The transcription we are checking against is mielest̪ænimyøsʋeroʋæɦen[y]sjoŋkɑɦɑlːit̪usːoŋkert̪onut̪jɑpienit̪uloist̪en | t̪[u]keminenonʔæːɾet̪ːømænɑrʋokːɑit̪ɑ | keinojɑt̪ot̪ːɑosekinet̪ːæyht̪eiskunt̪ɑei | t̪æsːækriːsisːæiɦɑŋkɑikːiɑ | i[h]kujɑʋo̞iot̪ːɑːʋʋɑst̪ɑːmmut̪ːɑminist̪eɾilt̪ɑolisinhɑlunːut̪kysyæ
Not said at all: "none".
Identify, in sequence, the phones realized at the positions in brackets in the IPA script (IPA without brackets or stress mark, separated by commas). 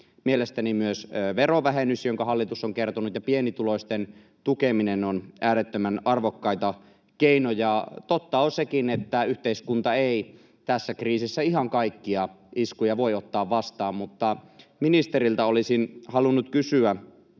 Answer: y, u, s